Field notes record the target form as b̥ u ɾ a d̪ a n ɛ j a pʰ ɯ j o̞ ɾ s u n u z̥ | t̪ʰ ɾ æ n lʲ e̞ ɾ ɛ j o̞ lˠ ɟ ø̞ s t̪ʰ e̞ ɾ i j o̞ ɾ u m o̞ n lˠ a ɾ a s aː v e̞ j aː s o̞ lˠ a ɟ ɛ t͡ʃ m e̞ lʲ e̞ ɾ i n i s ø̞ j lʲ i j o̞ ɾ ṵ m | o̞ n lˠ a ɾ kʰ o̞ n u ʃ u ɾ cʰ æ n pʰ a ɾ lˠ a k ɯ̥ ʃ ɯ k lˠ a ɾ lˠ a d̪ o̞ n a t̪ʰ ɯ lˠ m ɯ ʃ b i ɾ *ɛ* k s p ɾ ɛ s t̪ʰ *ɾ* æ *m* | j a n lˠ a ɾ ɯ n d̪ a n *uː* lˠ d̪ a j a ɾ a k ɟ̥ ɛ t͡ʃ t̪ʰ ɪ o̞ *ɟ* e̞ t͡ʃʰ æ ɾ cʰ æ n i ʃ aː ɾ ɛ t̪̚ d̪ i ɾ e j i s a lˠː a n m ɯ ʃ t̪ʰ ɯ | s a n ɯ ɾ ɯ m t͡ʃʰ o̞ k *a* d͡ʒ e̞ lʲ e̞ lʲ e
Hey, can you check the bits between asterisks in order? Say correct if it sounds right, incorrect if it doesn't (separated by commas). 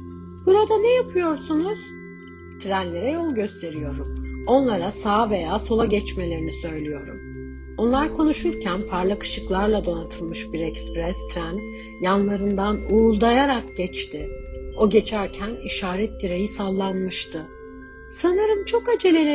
correct, correct, incorrect, correct, correct, correct